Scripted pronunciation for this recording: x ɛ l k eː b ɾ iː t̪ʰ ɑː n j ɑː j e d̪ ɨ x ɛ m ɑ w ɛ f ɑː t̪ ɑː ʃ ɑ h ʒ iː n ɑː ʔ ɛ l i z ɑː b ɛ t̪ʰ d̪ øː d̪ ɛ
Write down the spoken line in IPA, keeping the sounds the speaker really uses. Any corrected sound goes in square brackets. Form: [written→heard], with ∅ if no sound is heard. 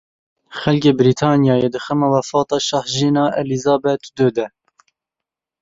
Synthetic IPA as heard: x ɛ l k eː b ɾ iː t̪ʰ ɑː n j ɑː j e d̪ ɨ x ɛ m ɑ w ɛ f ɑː t̪ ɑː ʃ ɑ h ʒ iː n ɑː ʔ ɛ l i z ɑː b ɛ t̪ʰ d̪ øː d̪ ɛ